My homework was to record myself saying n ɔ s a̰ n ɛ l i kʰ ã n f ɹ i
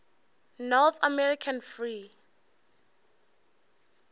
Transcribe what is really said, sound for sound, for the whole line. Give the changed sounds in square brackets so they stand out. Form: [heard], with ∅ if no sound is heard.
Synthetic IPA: n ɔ [θ] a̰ [m] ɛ [ɹ] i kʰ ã n f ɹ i